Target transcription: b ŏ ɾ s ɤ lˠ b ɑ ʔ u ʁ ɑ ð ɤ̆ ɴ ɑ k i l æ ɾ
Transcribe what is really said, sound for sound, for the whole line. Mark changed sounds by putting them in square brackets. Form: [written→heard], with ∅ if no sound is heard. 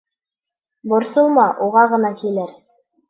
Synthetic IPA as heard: b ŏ ɾ s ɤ lˠ [b→m] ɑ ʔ u ʁ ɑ [ð→ʁ] ɤ̆ [ɴ→n] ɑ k i l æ ɾ